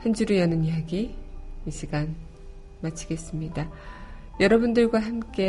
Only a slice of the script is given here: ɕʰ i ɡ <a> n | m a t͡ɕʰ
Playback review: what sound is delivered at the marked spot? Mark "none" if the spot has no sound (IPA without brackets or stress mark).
a